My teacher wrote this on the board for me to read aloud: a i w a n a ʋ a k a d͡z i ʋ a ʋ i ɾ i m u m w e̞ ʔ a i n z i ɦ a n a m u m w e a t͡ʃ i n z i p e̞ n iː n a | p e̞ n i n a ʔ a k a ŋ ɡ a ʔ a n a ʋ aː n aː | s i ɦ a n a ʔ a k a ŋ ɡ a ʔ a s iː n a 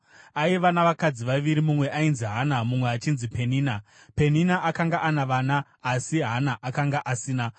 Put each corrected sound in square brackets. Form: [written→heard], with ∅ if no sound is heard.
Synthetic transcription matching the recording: a i [w→ʋ] a n a ʋ a k a d͡z i ʋ a ʋ i ɾ i m u m w e̞ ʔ a i n z i ɦ a n a m u m w e a t͡ʃ i n z i p e̞ n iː n a | p e̞ n i n a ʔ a k a ŋ ɡ a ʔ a n a ʋ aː n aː | s i ɦ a n a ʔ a k a ŋ ɡ a ʔ a s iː n a